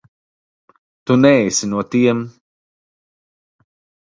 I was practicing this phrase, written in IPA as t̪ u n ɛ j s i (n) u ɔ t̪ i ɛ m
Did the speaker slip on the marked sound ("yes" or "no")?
no